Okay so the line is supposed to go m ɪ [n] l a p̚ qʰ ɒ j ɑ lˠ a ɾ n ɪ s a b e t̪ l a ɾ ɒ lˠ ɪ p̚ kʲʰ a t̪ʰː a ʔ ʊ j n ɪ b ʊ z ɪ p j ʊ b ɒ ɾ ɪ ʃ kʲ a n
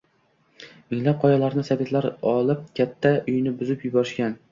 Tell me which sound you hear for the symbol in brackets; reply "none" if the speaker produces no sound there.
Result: ŋ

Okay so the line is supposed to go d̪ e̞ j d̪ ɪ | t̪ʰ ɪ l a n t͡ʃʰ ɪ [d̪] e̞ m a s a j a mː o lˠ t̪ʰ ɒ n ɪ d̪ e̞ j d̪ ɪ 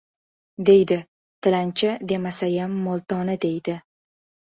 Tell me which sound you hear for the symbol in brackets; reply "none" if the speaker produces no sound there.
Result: d̪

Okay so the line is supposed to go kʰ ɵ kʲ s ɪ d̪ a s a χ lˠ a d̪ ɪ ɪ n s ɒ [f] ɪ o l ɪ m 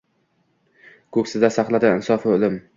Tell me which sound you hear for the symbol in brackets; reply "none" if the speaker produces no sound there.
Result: f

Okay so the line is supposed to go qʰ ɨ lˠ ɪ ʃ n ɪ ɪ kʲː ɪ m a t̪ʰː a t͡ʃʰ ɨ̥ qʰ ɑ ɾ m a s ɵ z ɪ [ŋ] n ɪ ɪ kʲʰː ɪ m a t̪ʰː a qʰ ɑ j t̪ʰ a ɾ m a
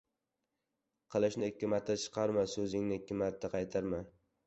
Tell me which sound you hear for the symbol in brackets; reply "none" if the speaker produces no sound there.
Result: ŋ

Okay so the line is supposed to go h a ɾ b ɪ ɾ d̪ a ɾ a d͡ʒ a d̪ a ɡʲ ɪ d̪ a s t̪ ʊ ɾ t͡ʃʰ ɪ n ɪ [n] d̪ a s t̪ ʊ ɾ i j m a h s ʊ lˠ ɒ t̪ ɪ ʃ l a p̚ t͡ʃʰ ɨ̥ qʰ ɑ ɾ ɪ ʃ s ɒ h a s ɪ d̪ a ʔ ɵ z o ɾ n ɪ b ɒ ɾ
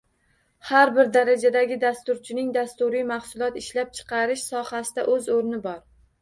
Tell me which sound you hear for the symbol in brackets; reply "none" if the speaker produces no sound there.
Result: ŋ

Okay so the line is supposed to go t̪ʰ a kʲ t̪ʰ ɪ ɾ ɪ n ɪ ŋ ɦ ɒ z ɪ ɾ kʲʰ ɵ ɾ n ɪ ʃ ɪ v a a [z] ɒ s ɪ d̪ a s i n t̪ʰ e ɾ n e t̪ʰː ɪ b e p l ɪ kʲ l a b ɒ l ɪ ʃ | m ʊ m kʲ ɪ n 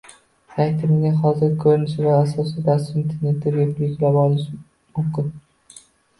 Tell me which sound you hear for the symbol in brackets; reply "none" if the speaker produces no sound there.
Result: s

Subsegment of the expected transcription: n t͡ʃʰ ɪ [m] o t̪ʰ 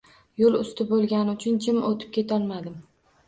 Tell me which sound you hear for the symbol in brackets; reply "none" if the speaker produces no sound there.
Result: m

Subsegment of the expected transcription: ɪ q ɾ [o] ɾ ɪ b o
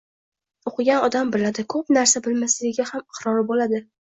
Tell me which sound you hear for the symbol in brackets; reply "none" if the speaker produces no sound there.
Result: ɒ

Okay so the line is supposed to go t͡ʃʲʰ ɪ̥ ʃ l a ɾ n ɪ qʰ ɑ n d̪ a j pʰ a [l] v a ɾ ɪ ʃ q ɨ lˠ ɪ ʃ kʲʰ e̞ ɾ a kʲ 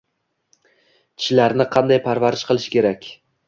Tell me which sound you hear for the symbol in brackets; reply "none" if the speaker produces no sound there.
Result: ɾ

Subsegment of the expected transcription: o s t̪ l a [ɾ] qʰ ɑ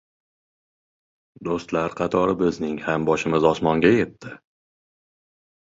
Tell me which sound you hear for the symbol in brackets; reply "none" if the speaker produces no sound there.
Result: ɾ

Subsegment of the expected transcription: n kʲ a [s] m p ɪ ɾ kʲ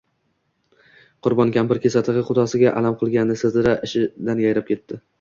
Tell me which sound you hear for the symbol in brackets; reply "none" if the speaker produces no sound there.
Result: none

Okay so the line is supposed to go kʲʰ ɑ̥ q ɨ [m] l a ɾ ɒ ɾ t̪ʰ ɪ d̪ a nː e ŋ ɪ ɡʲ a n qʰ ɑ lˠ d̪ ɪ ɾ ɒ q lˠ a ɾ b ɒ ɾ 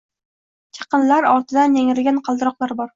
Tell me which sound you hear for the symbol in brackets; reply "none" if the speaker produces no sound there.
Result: n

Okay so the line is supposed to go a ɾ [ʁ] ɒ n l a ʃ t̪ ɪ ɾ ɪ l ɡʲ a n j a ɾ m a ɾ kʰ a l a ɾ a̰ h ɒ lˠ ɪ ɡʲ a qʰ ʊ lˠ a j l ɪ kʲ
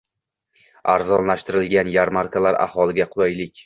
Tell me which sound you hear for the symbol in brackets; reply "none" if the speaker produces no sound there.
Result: z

